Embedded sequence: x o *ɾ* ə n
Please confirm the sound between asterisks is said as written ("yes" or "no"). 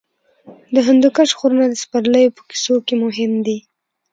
yes